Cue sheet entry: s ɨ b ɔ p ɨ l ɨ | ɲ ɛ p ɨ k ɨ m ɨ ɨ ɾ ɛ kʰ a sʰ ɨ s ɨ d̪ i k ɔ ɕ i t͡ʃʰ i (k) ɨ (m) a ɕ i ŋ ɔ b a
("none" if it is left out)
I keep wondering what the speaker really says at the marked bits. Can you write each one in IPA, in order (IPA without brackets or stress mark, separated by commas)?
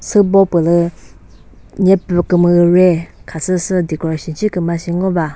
k, m